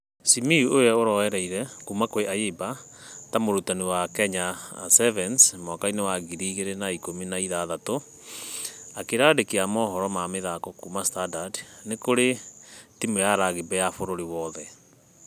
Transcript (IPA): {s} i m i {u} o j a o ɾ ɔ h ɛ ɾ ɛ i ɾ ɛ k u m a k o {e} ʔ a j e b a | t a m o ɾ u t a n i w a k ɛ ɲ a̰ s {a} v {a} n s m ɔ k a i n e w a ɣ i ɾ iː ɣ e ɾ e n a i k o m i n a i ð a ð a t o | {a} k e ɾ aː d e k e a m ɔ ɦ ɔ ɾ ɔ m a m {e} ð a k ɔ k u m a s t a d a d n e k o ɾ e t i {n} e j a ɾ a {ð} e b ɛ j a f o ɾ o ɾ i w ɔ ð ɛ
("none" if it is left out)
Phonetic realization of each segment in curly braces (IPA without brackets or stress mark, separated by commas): s, u, e, ɛ, ɛ, a, e, m, ɣ